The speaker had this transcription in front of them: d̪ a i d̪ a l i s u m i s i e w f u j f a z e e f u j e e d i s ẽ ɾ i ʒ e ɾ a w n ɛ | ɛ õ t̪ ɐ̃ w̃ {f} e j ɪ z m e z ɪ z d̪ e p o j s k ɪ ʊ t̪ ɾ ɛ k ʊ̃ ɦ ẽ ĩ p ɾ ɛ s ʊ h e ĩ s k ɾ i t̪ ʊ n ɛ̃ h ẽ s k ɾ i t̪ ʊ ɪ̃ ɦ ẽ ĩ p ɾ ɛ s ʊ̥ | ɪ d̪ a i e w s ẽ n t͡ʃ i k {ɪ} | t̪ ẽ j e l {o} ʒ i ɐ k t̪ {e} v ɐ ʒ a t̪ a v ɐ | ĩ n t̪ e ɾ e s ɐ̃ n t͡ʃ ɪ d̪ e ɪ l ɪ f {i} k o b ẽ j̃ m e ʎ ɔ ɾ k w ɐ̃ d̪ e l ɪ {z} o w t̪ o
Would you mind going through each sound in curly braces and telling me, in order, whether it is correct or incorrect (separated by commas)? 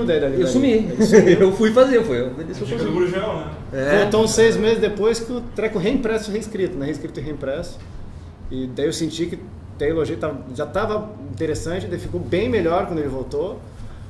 incorrect, correct, correct, incorrect, correct, incorrect